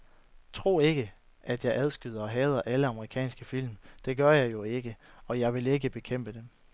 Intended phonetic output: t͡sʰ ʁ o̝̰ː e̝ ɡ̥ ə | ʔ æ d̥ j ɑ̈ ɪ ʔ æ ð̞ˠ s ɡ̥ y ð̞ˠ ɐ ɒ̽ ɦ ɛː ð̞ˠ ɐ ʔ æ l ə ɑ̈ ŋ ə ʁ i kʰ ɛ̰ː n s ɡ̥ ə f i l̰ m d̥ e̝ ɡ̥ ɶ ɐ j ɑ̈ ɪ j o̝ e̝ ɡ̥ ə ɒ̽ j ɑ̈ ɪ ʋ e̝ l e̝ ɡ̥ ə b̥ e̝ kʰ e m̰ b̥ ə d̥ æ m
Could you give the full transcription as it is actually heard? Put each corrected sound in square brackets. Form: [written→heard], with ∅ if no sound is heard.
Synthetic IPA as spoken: t͡sʰ ʁ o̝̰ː e̝ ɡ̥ ə | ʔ æ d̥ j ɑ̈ ɪ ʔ æ ð̞ˠ s ɡ̥ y ð̞ˠ ɐ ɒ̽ ɦ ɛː ð̞ˠ ɐ ʔ æ l ə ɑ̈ [ŋ→m] ə ʁ i kʰ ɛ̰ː n s ɡ̥ ə f i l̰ m d̥ e̝ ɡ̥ ɶ ɐ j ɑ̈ ɪ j o̝ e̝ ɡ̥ ə ɒ̽ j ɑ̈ ɪ ʋ e̝ l e̝ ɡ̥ ə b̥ e̝ kʰ e m̰ b̥ ə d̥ [æ→e] m